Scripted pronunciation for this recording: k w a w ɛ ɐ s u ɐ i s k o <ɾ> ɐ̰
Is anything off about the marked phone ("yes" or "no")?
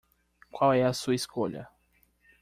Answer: yes